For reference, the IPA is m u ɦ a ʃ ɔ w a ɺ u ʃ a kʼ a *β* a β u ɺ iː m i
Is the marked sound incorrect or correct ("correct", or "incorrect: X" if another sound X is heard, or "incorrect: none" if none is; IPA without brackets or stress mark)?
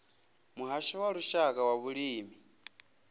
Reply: incorrect: w